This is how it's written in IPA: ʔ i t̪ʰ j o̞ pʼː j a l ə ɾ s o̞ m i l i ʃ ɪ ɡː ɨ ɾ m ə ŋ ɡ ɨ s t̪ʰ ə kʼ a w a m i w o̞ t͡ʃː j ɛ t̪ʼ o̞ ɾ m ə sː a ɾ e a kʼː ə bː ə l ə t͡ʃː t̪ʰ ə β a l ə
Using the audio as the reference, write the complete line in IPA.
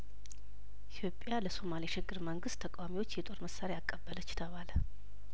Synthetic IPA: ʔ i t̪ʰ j o̞ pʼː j a l ə s o̞ m a l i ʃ ɪ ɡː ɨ ɾ m ə ŋ ɡ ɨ s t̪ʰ ə kʼ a w a m i w o̞ t͡ʃː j ɛ t̪ʼ o̞ ɾ m ə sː a ɾ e a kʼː ə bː ə l ə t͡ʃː t̪ʰ ə β a l ə